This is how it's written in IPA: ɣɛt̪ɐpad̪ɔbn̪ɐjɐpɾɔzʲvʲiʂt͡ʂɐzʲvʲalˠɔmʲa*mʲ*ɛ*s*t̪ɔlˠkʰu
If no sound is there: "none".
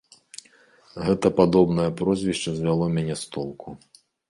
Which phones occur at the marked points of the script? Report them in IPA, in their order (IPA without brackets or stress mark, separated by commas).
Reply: nʲ, s